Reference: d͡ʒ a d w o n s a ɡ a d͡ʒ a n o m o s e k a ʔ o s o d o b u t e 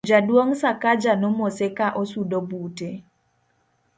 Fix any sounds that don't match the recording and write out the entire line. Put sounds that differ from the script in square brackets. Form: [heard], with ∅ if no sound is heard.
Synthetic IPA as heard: d͡ʒ a d w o [ŋ] s a [k] a d͡ʒ a n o m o s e k a ʔ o s [u] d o b u t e

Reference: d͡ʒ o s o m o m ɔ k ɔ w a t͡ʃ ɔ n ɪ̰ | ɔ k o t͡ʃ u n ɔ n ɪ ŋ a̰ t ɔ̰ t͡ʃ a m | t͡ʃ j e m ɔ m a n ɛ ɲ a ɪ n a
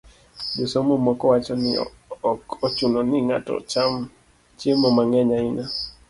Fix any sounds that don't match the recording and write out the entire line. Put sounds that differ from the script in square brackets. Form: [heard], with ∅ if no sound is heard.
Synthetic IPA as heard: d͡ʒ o s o m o m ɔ k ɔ w a t͡ʃ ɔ n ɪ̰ | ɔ k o t͡ʃ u n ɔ n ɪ ŋ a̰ t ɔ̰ t͡ʃ a m | t͡ʃ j e m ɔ m a [ŋ] ɛ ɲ a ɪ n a

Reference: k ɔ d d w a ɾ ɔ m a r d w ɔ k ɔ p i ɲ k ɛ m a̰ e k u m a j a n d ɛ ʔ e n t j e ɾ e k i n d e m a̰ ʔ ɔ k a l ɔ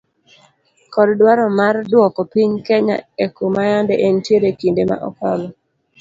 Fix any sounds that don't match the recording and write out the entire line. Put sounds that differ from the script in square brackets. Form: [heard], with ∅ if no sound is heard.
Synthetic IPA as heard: k ɔ d d w a ɾ ɔ m a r d w ɔ k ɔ p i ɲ k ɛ [ɲ] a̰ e k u m a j a n d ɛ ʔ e n t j e ɾ e k i n d e m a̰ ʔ ɔ k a l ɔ

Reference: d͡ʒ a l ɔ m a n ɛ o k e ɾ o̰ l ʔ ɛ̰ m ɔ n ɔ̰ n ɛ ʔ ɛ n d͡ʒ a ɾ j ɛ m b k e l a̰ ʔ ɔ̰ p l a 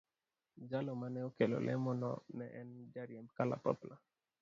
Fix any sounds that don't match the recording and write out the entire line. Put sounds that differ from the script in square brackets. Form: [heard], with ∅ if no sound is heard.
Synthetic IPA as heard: d͡ʒ a l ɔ m a n ɛ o k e [l] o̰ l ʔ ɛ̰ m ɔ n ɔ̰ n ɛ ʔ ɛ n d͡ʒ a ɾ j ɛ m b k [a] l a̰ [p] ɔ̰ p l a

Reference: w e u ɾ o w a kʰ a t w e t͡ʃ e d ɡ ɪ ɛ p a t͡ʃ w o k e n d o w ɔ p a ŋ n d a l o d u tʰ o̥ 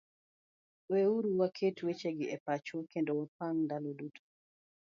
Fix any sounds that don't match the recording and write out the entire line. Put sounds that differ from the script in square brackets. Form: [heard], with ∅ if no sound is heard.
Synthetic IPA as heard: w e u ɾ [u] w a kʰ [e] t w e t͡ʃ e [∅] ɡ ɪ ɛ p a t͡ʃ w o k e n d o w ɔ p a ŋ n d a l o d u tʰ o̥

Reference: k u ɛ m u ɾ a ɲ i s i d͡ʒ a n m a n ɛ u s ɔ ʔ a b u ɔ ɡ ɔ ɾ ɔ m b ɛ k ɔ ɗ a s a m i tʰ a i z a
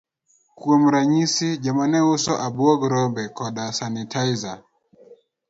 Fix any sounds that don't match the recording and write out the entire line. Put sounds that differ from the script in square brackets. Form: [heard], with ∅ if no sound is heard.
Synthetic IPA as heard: k u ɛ m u ɾ a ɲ i s i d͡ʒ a [∅] m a n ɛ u s ɔ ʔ a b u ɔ ɡ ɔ ɾ ɔ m b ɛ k ɔ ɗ a s a [n] i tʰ a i z a

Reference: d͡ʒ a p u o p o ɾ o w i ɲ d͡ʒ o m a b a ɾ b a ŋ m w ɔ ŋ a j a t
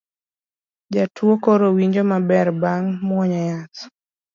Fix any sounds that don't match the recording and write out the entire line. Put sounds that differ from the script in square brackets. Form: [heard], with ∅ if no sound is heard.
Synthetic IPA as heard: d͡ʒ a [t] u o [k] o ɾ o w i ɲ d͡ʒ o m a b [ɛ] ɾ b a ŋ m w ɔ [ɲ] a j a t

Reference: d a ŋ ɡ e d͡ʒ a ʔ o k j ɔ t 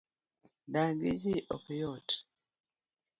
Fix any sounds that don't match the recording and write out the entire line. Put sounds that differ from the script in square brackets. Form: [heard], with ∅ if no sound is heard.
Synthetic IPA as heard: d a ŋ ɡ [i] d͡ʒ [i] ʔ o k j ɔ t

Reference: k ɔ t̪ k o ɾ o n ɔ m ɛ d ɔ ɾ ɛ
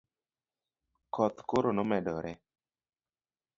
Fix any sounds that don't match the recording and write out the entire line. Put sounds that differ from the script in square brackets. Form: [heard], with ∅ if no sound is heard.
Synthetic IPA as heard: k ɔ t̪ k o ɾ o n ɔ m ɛ d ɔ ɾ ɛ

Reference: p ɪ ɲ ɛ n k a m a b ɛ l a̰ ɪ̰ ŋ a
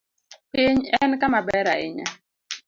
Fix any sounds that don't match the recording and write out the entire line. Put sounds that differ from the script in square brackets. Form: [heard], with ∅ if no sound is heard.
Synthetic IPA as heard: p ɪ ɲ ɛ n k a m a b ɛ [ɾ] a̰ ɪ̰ [ɲ] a

